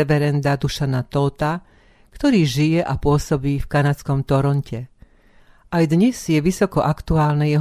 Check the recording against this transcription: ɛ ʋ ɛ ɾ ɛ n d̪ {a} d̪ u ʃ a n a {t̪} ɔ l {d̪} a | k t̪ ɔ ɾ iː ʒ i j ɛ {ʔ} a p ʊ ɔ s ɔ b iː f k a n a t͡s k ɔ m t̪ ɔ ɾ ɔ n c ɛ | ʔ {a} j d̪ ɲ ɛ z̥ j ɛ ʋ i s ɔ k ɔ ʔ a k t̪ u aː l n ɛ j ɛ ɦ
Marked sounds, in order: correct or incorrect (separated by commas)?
correct, correct, incorrect, correct, correct